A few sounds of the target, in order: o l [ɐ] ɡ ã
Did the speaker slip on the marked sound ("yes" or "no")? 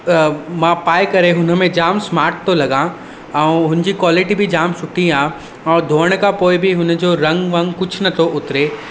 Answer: no